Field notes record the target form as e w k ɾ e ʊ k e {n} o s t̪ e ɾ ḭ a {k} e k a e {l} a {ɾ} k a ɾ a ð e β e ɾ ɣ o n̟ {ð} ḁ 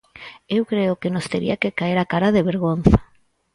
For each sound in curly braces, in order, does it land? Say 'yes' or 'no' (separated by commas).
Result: yes, yes, no, no, no